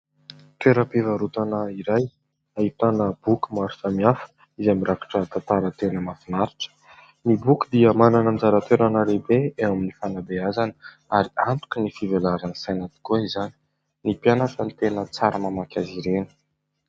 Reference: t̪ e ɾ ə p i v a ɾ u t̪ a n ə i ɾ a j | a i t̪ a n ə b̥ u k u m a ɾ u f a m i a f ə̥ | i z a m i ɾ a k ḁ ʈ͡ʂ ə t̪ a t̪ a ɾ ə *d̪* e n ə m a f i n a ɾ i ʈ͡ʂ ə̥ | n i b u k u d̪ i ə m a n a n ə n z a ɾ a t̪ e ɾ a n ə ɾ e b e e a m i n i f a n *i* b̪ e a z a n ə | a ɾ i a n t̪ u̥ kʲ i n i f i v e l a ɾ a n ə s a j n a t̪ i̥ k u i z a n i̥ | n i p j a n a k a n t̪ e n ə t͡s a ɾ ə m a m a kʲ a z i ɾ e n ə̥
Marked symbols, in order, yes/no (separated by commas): no, no